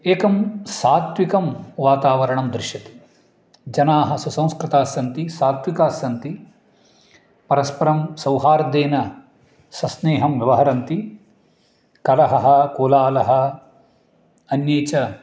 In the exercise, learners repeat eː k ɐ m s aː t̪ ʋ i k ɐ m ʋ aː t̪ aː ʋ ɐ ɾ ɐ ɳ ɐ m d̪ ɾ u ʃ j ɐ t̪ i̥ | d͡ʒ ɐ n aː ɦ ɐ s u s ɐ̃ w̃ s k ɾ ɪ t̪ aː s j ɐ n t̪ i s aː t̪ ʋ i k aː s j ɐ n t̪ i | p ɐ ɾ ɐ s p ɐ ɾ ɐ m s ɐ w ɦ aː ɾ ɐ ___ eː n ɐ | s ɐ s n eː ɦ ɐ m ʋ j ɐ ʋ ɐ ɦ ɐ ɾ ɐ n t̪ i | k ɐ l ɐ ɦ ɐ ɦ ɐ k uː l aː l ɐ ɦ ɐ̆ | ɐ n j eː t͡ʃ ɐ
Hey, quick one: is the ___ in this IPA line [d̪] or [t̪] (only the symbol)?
d̪